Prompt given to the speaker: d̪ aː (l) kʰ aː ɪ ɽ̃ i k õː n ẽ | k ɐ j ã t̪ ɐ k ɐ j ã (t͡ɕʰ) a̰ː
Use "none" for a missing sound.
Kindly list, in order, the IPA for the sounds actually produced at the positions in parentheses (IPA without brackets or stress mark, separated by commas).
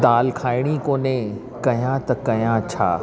l, t͡ɕʰ